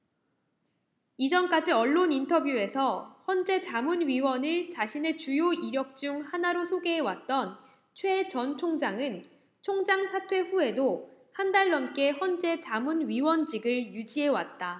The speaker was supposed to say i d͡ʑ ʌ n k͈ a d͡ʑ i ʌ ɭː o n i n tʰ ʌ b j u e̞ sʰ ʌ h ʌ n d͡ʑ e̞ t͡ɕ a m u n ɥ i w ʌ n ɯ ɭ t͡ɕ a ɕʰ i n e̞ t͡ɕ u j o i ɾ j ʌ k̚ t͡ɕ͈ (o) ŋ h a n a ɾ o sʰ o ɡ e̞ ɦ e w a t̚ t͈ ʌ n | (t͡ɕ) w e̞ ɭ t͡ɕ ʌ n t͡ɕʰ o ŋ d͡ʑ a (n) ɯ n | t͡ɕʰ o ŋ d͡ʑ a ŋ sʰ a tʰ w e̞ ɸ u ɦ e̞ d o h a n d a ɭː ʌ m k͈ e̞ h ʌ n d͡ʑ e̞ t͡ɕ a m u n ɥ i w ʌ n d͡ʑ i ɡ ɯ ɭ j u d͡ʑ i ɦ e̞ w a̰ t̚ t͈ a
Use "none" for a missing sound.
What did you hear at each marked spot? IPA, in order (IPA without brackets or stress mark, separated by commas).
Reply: u, t͡ɕʰ, ŋ